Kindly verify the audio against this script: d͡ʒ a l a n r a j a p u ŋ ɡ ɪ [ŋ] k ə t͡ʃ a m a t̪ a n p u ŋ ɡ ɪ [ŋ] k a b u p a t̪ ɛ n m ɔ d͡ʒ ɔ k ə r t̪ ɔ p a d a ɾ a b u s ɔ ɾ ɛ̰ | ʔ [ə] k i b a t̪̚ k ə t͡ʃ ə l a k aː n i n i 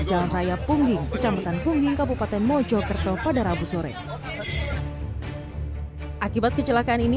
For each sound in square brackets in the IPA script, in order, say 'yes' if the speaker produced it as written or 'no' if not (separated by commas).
yes, yes, no